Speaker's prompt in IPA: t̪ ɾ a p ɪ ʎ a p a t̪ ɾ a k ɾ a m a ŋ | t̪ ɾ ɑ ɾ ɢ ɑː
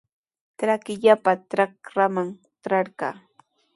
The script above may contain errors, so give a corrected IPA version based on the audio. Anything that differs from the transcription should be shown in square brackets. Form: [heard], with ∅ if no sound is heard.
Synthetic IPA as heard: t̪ ɾ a [k] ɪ ʎ a p a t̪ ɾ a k ɾ a m a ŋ | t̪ ɾ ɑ ɾ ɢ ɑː